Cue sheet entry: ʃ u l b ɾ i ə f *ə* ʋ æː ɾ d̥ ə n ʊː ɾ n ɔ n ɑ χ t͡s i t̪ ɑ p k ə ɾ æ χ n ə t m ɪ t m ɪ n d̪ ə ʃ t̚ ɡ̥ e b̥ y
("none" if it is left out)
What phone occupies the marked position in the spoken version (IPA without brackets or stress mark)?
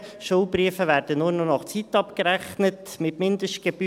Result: ə